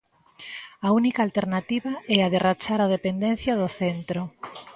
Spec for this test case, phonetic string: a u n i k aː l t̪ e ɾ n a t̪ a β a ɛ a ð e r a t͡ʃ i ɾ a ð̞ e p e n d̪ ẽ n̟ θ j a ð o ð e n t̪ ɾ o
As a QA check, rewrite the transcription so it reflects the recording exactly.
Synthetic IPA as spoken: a u n i k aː l t̪ e ɾ n a t̪ i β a ɛ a ð e r a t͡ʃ a ɾ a ð̞ e p e n d̪ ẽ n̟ θ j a ð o θ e n t̪ ɾ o